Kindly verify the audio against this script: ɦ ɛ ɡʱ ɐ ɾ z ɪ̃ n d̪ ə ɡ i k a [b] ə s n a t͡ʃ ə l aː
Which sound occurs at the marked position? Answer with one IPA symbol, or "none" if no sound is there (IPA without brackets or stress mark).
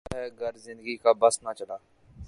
b